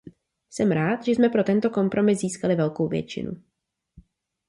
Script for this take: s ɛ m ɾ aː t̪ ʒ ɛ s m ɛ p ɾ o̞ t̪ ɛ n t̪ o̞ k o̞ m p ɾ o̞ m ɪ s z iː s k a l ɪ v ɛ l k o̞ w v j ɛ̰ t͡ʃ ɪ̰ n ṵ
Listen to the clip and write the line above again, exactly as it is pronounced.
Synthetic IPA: s ɛ m ɾ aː t̪ ʒ ɛ s m ɛ p ɾ o̞ t̪ ɛ n t̪ o̞ k o̞ m p ɾ o̞ m ɪ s z iː s k a l ɪ v ɛ l k o̞ w v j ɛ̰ t͡ʃ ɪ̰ n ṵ

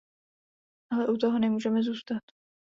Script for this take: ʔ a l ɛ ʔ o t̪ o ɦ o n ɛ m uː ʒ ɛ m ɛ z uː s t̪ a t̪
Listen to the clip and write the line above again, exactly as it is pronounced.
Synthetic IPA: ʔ a l ɛ ʔ u t̪ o ɦ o n ɛ m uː ʒ ɛ m ɛ z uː s t̪ a t̪

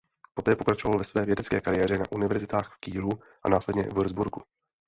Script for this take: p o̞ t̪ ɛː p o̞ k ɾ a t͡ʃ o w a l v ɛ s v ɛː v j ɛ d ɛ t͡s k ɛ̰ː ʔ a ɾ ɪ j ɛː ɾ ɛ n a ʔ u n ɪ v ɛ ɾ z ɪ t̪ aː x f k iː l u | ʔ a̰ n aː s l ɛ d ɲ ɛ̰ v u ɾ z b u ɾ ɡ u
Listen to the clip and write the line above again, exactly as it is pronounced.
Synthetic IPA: p o̞ t̪ ɛː p o̞ k ɾ a t͡ʃ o v a l v ɛ s v ɛː v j ɛ d ɛ t͡s k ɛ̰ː k a ɾ ɪ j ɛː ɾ ɛ n a ʔ u n ɪ v ɛ ɾ z ɪ t̪ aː x f k iː l u | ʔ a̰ n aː s l ɛ d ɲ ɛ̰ v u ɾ z b u ɾ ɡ u

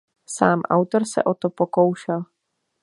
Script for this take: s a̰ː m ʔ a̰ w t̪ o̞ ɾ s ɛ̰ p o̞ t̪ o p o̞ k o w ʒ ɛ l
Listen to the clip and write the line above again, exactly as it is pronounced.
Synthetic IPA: s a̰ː m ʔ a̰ w t̪ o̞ ɾ s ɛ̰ ʔ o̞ t̪ o p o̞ k o w ʃ ɛ l

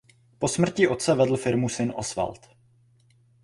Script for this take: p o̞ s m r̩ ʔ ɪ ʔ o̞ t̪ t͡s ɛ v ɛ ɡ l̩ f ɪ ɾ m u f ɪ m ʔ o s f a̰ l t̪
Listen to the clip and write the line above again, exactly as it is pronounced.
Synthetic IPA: p o̞ s m r̩ c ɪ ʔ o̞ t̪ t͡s ɛ v ɛ d l̩ f ɪ ɾ m u s ɪ n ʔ o s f a̰ l t̪

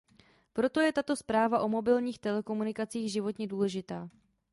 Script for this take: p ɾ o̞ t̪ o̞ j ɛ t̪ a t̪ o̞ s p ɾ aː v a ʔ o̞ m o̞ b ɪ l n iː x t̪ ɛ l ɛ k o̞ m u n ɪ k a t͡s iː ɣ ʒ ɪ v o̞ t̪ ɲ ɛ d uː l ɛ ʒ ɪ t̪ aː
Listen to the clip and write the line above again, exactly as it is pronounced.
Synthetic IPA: p ɾ o̞ t̪ o̞ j ɛ t̪ a t̪ o̞ s p ɾ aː v a ʔ o̞ m o̞ b ɪ l ɲ iː x t̪ ɛ l ɛ k o̞ m u n ɪ k a t͡s iː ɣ ʒ ɪ v o̞ t̪ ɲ ɛ d uː l ɛ ʒ ɪ t̪ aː

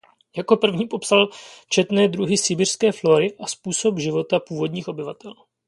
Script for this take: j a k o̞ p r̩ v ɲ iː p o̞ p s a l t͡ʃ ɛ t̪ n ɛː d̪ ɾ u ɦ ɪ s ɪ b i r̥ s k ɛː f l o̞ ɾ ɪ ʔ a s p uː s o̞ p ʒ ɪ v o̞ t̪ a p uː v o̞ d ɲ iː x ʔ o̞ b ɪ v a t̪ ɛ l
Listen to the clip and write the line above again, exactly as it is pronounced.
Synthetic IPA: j a k o̞ p r̩ v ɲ iː p o̞ p s a l t͡ʃ ɛ t̪ n ɛː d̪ ɾ u ɦ ɪ s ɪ b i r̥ s k ɛː f l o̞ ɾ ɪ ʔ a s p uː s o̞ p ʒ ɪ v o̞ t̪ a p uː v o̞ d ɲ iː x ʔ o̞ b ɪ v a t̪ ɛ l

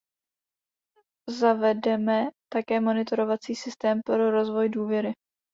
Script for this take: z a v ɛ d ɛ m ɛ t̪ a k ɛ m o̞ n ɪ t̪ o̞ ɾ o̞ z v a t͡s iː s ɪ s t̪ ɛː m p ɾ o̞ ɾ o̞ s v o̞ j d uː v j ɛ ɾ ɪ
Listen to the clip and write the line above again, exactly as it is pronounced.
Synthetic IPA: z a v ɛ d ɛ m ɛ t̪ a k ɛː m o̞ n ɪ t̪ o̞ ɾ o̞ v a t͡s iː s ɪ s t̪ ɛː m p ɾ o̞ ɾ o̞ z v o̞ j d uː v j ɛ ɾ ɪ

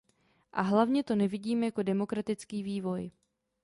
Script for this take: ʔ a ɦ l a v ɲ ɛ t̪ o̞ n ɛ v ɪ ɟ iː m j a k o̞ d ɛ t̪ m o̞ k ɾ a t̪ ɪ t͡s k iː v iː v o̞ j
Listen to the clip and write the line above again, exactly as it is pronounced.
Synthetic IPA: ʔ a ɦ l a v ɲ ɛ t̪ o̞ n ɛ v ɪ ɟ iː m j a k o̞ d ɛ m o̞ k ɾ a t̪ ɪ t͡s k iː v iː v o̞ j

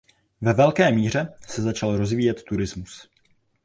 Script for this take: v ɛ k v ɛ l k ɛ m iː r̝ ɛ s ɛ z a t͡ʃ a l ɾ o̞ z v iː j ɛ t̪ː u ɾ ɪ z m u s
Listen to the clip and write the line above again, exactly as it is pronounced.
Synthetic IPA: v ɛ v ɛ l k ɛː m iː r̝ ɛ s ɛ z a t͡ʃ a l ɾ o̞ z v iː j ɛ t̪ː u ɾ ɪ z m u s

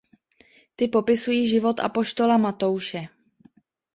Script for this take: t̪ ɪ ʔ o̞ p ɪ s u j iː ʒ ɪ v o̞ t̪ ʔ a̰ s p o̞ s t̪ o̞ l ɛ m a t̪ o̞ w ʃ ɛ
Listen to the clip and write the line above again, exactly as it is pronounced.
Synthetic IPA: t̪ ɪ p o̞ p ɪ s u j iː ʒ ɪ v o̞ t̪ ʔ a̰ p o̞ ʃ t̪ o̞ l a m a t̪ o̞ w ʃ ɛ

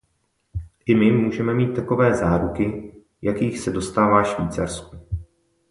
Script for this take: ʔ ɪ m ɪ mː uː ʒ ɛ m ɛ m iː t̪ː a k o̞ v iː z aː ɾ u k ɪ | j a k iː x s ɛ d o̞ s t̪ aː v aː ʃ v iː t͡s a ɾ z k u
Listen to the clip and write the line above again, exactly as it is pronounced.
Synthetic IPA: ʔ ɪ m ɪ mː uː ʒ ɛ m ɛ m iː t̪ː a k o̞ v ɛː z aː ɾ u k ɪ | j a k iː x s ɛ d o̞ s t̪ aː v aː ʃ v iː t͡s a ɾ s k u

